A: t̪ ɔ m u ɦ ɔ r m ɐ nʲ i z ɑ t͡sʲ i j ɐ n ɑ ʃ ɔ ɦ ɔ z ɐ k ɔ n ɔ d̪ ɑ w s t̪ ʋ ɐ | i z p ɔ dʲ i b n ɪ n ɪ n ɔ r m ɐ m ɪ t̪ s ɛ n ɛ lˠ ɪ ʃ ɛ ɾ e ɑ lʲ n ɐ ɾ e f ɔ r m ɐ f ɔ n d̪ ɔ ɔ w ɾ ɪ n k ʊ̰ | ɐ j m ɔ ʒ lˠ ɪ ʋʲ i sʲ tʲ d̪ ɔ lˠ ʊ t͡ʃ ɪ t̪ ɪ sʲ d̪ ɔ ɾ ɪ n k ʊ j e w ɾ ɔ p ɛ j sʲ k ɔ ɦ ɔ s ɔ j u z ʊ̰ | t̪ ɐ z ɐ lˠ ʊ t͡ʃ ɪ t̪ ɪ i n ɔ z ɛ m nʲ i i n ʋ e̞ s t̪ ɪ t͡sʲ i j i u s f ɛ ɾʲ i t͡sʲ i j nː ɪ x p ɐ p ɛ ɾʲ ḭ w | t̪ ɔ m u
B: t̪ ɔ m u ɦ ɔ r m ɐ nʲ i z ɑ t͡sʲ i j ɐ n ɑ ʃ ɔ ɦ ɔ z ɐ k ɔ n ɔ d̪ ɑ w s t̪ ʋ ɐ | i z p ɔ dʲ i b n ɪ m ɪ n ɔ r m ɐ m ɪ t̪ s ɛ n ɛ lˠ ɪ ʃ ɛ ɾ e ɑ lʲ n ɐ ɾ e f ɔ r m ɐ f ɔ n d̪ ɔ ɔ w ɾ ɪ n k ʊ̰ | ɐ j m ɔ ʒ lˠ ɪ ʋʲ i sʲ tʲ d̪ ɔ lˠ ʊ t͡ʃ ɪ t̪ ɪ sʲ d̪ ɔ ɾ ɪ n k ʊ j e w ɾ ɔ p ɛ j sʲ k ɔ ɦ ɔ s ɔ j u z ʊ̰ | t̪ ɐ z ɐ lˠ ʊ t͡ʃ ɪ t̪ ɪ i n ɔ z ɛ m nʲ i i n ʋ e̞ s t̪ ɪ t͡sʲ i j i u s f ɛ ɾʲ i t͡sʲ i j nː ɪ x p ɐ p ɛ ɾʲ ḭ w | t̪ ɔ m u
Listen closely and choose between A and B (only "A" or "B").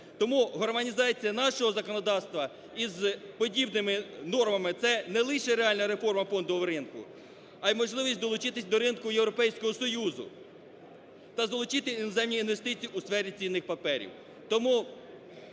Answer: B